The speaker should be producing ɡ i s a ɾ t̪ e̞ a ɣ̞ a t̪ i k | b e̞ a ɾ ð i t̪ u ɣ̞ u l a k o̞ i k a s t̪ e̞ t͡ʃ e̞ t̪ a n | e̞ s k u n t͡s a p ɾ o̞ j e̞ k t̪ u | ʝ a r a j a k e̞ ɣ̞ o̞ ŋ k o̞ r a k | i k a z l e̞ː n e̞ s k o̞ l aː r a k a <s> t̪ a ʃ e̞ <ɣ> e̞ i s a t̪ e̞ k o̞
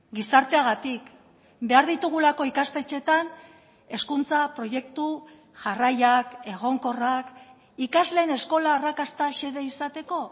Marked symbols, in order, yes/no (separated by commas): yes, no